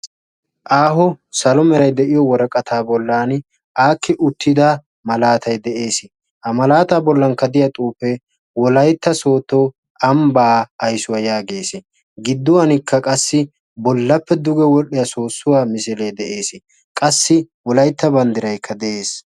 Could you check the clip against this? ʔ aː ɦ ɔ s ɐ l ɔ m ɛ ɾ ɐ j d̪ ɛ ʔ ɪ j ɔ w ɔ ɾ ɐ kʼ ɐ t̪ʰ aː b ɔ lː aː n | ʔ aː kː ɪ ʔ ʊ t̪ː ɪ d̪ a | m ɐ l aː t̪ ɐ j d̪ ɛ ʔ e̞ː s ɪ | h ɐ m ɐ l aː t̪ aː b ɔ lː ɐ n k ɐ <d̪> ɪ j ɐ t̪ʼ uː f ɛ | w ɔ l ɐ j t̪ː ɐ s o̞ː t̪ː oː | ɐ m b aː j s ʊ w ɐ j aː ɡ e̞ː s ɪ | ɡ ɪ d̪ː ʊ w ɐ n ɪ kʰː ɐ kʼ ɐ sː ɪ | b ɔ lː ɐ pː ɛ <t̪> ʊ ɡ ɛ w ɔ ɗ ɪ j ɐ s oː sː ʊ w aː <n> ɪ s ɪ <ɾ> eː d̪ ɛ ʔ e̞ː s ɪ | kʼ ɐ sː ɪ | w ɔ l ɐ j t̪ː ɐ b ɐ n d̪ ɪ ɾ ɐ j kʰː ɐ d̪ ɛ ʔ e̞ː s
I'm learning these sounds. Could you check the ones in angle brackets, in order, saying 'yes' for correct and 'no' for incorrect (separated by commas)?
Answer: yes, no, no, no